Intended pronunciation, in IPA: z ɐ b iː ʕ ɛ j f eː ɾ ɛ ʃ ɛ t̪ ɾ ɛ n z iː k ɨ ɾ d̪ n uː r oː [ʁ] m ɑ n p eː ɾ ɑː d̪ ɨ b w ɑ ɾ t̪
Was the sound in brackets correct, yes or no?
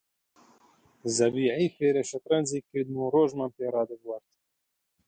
no